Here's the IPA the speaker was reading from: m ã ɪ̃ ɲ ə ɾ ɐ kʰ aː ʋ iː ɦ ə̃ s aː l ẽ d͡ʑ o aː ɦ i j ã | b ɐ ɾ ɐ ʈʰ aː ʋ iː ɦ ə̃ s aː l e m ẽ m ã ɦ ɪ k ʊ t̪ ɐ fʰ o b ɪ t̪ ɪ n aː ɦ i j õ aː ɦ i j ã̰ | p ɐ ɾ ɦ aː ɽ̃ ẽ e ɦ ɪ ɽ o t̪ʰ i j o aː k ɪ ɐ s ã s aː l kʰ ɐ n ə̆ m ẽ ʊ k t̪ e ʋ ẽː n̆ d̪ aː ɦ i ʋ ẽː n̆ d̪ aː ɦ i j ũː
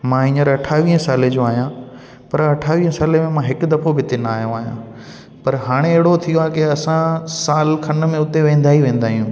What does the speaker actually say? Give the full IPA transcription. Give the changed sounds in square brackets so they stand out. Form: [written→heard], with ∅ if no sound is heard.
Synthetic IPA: m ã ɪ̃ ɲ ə ɾ ɐ [kʰ→ʈʰ] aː ʋ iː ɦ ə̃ s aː l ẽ d͡ʑ o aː ɦ i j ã | [b→p] ɐ ɾ ɐ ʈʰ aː ʋ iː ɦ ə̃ s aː l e m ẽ m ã ɦ ɪ k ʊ [t̪→d̪] ɐ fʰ o b ɪ t̪ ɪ n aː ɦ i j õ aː ɦ i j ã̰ | p ɐ ɾ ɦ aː ɽ̃ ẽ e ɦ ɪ ɽ o t̪ʰ i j o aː k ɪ ɐ s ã s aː l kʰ ɐ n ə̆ m ẽ ʊ [k→∅] t̪ e ʋ ẽː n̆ d̪ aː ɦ i ʋ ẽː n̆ d̪ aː ɦ i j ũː